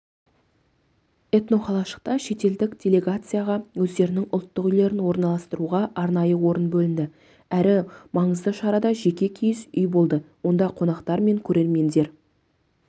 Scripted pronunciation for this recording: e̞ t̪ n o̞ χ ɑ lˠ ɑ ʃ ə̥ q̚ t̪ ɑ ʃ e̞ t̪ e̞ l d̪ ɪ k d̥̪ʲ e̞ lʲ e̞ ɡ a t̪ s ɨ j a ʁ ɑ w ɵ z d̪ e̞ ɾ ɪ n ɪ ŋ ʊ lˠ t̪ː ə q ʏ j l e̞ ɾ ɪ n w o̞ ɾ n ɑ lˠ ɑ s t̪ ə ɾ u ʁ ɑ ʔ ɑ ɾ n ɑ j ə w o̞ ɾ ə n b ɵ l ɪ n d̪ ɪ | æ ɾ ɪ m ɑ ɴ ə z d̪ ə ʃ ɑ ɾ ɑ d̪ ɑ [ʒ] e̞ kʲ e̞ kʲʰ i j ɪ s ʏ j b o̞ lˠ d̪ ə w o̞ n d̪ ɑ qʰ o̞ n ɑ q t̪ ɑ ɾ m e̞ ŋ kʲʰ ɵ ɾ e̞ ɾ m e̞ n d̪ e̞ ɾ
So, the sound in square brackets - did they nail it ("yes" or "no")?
yes